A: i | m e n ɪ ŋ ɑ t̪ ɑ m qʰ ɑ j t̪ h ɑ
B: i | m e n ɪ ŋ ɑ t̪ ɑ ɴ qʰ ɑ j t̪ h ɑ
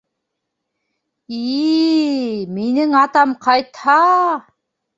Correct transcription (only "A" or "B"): A